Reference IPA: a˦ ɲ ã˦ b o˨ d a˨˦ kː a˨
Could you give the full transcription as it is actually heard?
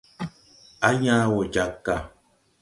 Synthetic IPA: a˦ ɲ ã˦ w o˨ d͡ʒ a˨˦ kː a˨